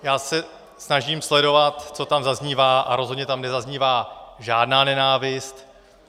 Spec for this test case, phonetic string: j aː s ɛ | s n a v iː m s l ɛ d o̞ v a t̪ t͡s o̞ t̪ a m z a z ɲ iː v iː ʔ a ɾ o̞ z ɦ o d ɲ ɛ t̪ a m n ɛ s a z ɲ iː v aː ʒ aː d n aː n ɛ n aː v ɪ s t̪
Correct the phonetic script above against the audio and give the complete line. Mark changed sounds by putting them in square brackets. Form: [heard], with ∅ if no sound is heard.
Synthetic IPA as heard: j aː s ɛ | s n a [ʒ] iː m s l ɛ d o̞ v a t̪ t͡s o̞ t̪ a m z a z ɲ iː v [aː] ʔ a ɾ o̞ z ɦ o d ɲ ɛ t̪ a m n ɛ [z] a z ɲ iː v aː ʒ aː d n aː n ɛ n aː v ɪ s t̪